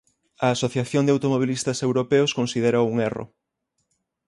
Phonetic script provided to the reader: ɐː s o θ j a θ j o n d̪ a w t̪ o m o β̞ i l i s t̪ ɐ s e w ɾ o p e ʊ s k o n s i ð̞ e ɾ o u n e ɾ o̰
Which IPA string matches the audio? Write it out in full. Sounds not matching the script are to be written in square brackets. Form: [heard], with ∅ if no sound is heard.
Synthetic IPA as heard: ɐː s o θ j a θ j o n d̪ a w t̪ o m o β̞ i l i s t̪ ɐ s e w ɾ o p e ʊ s k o n s i ð̞ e ɾ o u [ŋ] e [r] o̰